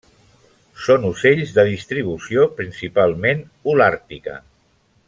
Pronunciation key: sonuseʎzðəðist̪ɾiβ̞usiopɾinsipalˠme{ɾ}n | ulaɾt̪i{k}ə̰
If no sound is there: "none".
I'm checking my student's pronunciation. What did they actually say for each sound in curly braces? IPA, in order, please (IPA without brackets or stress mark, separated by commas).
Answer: none, k